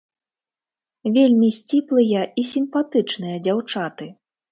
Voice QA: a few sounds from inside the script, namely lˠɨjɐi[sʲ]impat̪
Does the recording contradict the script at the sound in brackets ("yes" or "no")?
no